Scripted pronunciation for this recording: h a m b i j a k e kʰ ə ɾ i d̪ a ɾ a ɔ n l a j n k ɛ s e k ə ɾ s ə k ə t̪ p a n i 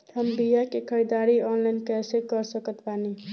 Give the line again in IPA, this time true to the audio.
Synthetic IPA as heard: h ə m b i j a k e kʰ ə ɾ i d̪ a ɾ i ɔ n l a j n k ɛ s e k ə ɾ s ə k ə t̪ p a n i